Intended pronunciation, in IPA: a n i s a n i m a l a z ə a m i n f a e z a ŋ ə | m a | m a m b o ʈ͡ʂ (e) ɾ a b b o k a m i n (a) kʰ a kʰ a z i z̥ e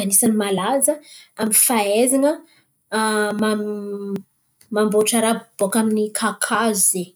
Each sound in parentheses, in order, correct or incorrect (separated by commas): incorrect, incorrect